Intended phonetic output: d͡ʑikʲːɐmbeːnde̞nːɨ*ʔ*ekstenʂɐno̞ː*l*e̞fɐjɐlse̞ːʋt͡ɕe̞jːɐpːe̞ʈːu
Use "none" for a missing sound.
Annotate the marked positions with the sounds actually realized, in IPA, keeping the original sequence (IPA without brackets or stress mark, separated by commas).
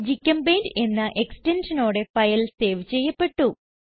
ʔ, ɽ